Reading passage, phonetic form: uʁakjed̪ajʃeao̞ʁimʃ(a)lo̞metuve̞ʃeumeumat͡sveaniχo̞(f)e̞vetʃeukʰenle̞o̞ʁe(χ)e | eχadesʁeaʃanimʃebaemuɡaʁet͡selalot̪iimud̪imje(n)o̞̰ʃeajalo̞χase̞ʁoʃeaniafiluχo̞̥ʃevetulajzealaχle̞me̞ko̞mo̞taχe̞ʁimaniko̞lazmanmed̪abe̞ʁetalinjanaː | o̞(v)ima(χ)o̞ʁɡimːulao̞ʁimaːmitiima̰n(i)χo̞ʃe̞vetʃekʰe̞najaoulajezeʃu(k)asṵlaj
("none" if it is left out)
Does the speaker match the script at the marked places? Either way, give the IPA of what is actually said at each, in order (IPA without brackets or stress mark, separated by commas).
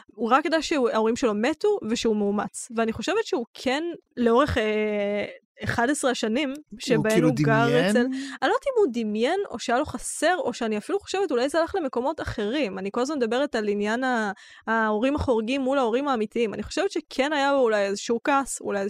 e, ʃ, χ, n, ʁ, χ, i, k